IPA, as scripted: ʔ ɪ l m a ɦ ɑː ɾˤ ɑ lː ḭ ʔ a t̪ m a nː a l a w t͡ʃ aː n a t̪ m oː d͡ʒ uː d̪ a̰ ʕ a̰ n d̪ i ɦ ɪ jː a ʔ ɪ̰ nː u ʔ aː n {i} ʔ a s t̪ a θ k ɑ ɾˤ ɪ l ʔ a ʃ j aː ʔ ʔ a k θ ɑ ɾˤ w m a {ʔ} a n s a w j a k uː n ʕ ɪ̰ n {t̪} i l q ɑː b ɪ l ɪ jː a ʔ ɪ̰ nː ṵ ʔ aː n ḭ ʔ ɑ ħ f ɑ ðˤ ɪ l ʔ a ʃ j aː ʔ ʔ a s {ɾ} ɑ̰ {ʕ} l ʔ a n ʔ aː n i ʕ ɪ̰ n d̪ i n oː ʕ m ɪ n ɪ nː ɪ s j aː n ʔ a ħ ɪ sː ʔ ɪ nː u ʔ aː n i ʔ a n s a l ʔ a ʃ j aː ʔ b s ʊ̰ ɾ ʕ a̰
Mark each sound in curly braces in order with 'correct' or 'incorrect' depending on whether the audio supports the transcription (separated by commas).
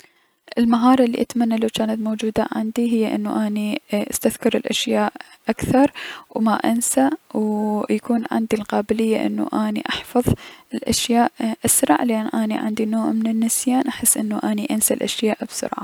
correct, correct, incorrect, correct, correct